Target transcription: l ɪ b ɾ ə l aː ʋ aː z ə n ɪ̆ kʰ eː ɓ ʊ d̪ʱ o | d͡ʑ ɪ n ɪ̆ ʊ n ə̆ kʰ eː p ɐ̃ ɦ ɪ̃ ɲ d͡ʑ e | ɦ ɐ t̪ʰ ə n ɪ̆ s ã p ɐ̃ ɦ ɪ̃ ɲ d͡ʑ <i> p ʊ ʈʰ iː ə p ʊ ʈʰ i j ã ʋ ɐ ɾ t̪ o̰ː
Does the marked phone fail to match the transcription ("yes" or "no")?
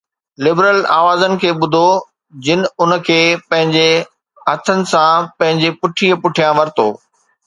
yes